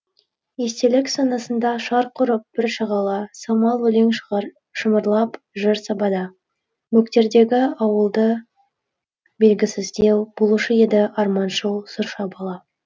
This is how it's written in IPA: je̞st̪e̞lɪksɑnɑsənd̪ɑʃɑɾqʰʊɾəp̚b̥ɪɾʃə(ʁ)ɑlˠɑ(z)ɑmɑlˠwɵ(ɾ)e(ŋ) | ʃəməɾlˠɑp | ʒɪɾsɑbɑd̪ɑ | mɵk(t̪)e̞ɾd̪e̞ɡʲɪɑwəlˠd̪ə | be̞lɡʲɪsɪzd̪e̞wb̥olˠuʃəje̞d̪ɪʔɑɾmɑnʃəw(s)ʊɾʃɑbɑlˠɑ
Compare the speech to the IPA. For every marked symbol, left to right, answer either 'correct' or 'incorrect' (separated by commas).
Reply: correct, incorrect, incorrect, correct, correct, correct